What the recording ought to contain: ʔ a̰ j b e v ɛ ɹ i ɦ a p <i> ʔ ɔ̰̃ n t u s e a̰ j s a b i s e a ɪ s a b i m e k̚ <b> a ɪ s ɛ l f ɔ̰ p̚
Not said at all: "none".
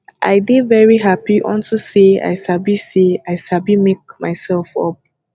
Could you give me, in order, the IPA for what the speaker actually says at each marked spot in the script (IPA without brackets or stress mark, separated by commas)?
i, m